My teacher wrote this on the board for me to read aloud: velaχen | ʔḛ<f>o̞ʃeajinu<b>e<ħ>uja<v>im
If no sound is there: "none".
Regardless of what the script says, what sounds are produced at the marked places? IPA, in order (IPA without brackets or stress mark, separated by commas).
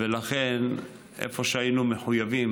f, m, ħ, v